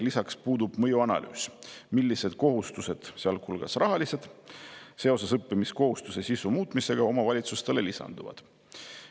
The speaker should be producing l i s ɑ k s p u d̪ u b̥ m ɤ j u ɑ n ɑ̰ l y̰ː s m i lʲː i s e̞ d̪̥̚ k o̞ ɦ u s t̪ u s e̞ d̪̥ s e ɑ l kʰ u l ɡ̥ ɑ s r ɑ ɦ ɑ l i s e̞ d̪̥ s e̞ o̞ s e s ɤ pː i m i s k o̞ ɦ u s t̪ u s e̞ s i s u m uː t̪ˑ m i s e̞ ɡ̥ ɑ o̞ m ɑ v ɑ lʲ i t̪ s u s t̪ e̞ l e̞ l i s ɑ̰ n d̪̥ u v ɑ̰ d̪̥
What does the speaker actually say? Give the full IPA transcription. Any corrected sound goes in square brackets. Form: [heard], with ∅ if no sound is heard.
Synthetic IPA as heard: l i s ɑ k s p [uː] d̪ u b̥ m ɤ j u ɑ n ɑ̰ l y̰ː s m i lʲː i s e̞ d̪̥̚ k o̞ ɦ u s t̪ u s e̞ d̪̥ s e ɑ l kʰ u l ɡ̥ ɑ s r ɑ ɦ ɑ l i s e̞ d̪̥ s e̞ o̞ s e s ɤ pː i m i s k o̞ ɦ u s t̪ u s e̞ s i s u m uː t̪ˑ m i s e̞ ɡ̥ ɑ o̞ m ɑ v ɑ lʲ i t̪ s u s t̪ e̞ l e̞ l i s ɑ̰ n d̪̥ u v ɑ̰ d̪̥